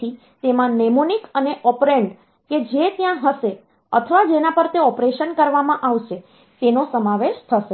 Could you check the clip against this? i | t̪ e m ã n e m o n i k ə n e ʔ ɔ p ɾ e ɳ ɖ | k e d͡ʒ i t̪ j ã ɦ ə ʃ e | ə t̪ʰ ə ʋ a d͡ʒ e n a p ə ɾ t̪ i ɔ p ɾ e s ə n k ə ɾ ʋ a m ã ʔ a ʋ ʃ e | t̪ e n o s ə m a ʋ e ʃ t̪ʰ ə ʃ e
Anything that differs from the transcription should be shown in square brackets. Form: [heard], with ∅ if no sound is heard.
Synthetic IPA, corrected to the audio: i | t̪ e m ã n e m o n i k ə n e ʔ ɔ p ɾ e ɳ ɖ | k e d͡ʒ [e] t̪ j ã ɦ ə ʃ e | ə t̪ʰ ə ʋ a d͡ʒ e n a p ə ɾ t̪ [e] ɔ p ɾ e [ʃ] ə n k ə ɾ ʋ a m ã ʔ a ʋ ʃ e | t̪ e n o s ə m a ʋ e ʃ t̪ʰ ə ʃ e